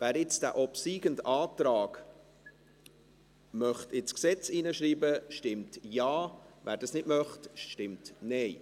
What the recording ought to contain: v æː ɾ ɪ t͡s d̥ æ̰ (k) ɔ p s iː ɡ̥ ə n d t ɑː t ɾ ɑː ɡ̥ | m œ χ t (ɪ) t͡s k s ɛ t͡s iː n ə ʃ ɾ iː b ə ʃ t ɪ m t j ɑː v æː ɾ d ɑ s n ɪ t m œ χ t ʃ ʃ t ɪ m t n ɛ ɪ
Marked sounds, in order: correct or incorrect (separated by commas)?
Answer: incorrect, correct